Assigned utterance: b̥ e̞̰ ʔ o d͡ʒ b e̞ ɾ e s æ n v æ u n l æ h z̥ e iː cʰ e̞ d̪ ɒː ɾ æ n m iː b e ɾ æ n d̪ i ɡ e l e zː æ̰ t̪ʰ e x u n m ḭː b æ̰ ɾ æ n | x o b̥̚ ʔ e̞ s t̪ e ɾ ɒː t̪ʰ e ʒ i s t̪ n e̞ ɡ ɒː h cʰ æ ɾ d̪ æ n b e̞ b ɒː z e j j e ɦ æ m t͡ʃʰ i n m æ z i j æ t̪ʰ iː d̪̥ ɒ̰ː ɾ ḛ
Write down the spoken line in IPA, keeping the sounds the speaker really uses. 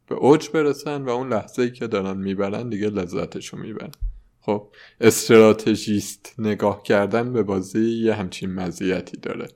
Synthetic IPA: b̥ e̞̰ ʔ o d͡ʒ b e̞ ɾ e s æ n v æ u n l æ h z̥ e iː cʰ e̞ d̪ ɒː ɾ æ n m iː b æ ɾ æ n d̪ i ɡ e l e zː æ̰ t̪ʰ e ʃ u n m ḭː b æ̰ ɾ æ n | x o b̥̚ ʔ e̞ s t̪ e ɾ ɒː t̪ʰ e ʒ i s t̪ n e̞ ɡ ɒː h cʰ æ ɾ d̪ æ n b e̞ b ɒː z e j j e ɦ æ m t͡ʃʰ i n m æ z i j æ t̪ʰ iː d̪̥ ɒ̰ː ɾ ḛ